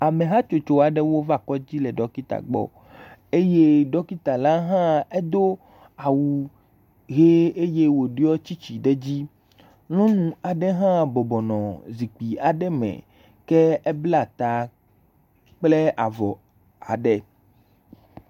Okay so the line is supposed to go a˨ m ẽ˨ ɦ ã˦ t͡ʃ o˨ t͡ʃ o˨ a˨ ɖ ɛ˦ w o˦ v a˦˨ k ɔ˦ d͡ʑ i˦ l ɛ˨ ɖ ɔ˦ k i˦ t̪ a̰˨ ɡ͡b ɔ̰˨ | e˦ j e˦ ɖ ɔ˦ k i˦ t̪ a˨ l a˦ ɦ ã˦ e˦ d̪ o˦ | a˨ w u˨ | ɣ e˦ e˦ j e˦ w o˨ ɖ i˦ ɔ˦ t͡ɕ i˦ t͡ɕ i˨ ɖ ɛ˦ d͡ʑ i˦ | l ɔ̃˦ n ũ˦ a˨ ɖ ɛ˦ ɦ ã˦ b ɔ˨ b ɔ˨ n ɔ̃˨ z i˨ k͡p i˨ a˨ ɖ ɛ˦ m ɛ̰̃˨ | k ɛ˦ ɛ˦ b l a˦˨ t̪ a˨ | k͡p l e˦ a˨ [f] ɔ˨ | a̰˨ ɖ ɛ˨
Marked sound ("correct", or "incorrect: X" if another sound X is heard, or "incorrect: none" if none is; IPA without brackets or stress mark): incorrect: v